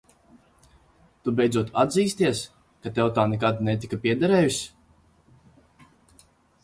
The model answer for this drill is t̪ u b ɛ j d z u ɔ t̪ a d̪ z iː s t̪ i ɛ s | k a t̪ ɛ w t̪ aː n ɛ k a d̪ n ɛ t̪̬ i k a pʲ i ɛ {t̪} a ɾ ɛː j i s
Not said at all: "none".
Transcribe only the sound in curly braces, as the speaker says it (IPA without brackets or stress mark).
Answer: d̪